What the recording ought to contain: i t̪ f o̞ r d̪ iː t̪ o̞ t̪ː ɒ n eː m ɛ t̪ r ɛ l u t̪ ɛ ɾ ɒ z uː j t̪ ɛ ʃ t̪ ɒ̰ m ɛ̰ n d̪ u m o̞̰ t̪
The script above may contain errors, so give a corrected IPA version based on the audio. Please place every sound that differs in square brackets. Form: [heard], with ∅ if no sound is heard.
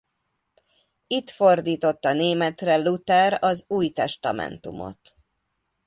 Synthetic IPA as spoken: i t̪ f o̞ r d̪ iː t̪ o̞ t̪ː ɒ n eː m ɛ t̪ r ɛ l u t̪ ɛ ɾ ɒ z uː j t̪ ɛ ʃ t̪ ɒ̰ m ɛ̰ n [t̪] u m o̞̰ t̪

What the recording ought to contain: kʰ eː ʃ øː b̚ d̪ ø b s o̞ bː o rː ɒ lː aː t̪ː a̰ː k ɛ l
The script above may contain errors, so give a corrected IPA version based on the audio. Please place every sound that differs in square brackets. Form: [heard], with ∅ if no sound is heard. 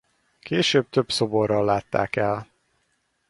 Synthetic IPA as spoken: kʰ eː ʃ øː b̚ [t̪] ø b s o̞ [b] o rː ɒ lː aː t̪ː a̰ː k ɛ l

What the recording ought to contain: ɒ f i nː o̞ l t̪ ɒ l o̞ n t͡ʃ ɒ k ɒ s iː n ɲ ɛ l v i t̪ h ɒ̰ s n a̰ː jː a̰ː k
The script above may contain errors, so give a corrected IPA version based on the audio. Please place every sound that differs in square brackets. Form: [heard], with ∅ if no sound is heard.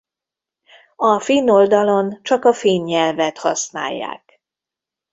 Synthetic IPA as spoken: ɒ f i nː o̞ l [d̪] ɒ l o̞ n t͡ʃ ɒ k ɒ [f] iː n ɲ ɛ l v [ɛ] t̪ h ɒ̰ s n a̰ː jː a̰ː k

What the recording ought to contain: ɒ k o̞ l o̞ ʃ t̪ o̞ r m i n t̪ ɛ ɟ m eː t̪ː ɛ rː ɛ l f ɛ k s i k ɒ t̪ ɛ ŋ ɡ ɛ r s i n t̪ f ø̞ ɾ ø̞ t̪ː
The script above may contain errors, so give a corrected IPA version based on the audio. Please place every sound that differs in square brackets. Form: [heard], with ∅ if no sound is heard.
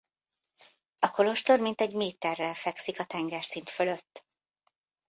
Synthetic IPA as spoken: ɒ k o̞ l o̞ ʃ t̪ o̞ r m i n t̪ ɛ ɟ m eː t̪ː ɛ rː ɛ l f ɛ k s i k ɒ t̪ ɛ ŋ ɡ ɛ r s i n t̪ f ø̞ [l] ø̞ t̪ː

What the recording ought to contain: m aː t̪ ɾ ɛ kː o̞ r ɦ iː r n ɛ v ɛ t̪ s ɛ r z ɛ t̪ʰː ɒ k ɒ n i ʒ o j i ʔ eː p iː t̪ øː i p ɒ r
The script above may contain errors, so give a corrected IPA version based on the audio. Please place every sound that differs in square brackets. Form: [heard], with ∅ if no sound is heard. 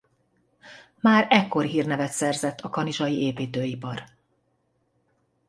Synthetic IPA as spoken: m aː [∅] ɾ ɛ kː o̞ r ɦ iː r n ɛ v ɛ t̪ s ɛ r z ɛ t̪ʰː ɒ k ɒ n i ʒ [ɒ] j i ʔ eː p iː t̪ øː i p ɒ r

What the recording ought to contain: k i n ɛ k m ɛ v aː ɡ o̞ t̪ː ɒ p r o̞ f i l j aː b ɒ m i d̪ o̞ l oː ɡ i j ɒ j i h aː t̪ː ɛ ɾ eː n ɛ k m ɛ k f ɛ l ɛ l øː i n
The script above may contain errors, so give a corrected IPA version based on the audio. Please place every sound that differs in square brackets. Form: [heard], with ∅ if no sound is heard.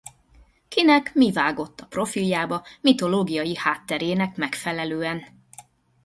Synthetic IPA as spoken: k i n ɛ k m [i] v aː ɡ o̞ t̪ː ɒ p r o̞ f i l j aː b ɒ m i [t̪] o̞ l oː ɡ i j ɒ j i h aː t̪ː ɛ ɾ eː n ɛ k m ɛ k f ɛ l ɛ l øː [ɛ] n

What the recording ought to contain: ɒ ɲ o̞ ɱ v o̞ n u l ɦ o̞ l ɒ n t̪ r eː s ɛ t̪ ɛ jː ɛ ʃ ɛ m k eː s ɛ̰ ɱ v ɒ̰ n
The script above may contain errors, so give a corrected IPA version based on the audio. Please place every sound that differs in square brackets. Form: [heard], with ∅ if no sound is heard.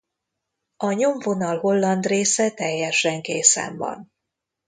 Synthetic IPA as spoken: ɒ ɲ o̞ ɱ v o̞ n [ɒ] l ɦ o̞ [lː] ɒ n [d̪] r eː s ɛ t̪ ɛ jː ɛ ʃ ɛ [ŋ] k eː s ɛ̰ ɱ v ɒ̰ n

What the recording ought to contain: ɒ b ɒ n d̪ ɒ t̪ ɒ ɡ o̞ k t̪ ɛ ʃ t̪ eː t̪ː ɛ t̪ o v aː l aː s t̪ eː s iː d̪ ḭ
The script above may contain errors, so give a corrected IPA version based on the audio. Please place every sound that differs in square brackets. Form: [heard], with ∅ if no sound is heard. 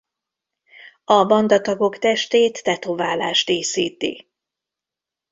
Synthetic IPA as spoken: ɒ b ɒ n d̪ ɒ t̪ ɒ ɡ o̞ k t̪ ɛ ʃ t̪ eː t̪ː ɛ t̪ o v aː l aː [ʃ] t̪ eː s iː [t̪] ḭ

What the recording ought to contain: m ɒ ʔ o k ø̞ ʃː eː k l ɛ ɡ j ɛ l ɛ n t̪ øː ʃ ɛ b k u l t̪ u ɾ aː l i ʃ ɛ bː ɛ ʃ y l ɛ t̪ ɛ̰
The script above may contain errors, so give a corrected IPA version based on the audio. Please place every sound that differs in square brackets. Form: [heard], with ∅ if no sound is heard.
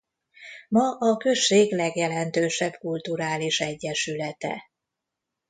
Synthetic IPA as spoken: m ɒ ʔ [ɒ] k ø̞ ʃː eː [ɡ] l ɛ ɡ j ɛ l ɛ n t̪ øː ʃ ɛ b k u l t̪ u ɾ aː l i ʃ ɛ [ɟː] ɛ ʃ y l ɛ t̪ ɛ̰

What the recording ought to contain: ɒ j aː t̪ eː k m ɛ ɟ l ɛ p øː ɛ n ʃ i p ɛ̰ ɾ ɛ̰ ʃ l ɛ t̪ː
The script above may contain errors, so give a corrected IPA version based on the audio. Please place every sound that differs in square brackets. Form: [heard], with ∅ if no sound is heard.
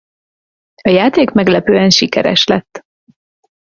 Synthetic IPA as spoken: ɒ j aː t̪ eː k m ɛ [ɡ] l ɛ p øː ɛ n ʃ i [k] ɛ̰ ɾ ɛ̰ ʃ l ɛ t̪ː

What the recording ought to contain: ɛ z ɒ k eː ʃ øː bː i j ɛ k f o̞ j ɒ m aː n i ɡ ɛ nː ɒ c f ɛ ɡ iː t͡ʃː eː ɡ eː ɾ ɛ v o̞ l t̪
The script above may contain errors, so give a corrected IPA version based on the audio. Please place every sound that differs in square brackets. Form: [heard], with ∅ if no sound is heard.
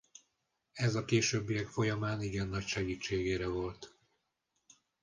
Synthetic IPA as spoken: ɛ z ɒ k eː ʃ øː bː i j ɛ k f o̞ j ɒ m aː n i ɡ ɛ nː ɒ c [ʃ] ɛ ɡ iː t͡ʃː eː ɡ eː ɾ ɛ v o̞ l t̪

